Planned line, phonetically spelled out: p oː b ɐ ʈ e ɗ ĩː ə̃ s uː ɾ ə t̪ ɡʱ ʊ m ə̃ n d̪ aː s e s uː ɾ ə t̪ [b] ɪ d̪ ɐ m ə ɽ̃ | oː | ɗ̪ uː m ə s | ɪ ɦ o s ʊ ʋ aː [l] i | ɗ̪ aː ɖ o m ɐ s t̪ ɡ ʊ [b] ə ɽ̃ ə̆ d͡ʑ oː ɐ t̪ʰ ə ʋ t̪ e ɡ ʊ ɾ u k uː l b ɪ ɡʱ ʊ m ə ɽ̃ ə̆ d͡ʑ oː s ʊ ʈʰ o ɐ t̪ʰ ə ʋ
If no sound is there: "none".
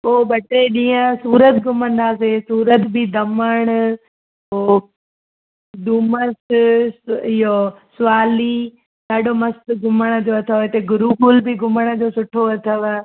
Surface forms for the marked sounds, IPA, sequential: b, l, m

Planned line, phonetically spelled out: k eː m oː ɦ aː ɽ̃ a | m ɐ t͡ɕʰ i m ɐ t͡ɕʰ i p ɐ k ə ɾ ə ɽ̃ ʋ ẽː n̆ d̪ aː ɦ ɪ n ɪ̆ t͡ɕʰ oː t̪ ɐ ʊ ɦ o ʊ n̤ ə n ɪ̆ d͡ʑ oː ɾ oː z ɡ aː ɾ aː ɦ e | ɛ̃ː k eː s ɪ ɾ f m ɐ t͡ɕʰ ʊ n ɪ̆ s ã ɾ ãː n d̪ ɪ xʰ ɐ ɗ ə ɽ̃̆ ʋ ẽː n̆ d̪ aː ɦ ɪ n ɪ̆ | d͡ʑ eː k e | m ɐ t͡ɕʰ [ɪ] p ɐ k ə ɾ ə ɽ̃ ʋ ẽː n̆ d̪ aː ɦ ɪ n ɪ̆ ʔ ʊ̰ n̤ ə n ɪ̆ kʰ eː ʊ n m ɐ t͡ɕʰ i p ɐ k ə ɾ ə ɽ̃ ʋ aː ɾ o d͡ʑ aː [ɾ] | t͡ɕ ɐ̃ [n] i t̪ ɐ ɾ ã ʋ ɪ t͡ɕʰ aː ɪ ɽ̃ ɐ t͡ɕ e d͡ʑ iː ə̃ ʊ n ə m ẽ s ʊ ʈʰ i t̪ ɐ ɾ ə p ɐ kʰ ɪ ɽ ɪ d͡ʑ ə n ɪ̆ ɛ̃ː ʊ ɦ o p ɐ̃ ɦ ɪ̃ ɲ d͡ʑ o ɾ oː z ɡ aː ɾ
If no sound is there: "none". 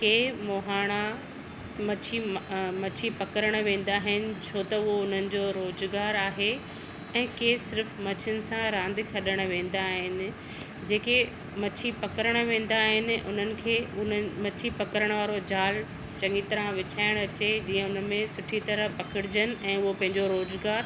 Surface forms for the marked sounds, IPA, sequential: i, l, ŋ

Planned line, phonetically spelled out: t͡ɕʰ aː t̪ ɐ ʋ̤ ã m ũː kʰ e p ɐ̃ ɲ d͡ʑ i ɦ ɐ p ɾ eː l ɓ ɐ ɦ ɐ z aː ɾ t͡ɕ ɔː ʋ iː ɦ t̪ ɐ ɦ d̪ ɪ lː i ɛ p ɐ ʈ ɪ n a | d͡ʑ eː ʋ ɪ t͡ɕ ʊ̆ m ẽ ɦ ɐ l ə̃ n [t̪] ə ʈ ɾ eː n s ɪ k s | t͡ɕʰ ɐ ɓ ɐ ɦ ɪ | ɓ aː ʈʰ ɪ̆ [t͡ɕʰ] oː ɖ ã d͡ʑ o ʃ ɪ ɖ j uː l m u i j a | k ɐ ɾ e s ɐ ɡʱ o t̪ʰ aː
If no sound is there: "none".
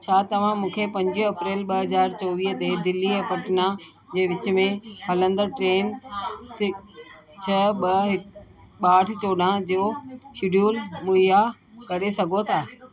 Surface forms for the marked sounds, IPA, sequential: d̪, t͡ɕ

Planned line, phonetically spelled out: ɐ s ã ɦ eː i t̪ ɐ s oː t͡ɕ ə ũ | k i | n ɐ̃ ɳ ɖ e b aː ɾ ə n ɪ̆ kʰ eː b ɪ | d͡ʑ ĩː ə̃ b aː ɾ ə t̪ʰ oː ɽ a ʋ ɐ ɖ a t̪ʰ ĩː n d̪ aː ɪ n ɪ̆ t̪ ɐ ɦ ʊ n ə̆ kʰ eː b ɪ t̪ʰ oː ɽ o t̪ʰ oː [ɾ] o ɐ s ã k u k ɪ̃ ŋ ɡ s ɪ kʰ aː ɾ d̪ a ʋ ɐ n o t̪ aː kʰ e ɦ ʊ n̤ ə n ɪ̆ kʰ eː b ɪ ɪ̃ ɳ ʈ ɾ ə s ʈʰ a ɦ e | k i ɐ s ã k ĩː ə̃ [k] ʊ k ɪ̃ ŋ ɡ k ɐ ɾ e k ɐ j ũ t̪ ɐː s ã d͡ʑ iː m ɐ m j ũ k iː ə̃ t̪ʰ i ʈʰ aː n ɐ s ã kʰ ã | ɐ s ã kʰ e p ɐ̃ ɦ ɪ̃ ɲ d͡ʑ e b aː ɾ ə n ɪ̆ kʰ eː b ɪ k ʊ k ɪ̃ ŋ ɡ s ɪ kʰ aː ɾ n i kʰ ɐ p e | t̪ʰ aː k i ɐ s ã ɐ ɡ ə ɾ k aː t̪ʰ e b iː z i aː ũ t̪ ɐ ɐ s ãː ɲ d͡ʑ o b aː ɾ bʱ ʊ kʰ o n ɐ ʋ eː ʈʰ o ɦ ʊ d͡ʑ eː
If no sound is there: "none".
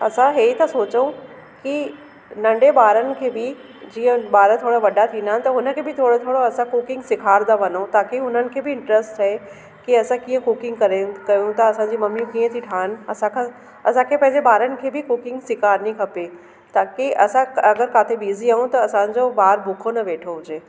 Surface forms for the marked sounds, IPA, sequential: ɽ, k

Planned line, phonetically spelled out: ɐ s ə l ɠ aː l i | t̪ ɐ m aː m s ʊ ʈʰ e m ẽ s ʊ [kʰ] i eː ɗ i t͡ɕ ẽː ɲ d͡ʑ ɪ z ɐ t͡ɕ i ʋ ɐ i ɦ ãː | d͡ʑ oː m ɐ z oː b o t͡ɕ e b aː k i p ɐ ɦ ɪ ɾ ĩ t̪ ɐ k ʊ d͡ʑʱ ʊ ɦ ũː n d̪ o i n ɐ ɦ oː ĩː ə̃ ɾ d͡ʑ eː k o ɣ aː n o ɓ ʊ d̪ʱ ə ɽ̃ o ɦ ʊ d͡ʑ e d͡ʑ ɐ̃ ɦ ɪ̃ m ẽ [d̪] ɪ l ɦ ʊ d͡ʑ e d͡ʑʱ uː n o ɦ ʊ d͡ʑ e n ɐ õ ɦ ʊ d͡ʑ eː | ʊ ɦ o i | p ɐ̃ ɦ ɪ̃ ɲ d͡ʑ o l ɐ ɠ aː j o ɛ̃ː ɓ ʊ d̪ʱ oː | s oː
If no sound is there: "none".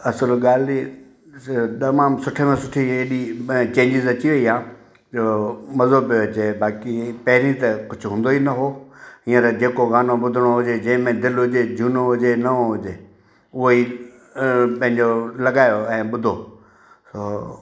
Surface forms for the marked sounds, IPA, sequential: ʈʰ, d̪

